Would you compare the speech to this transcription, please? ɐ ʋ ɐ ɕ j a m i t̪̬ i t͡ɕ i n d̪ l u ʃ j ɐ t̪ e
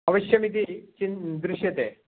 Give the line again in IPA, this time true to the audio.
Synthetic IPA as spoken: ɐ ʋ ɐ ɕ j ɐ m i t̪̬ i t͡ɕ i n d̪ ɾ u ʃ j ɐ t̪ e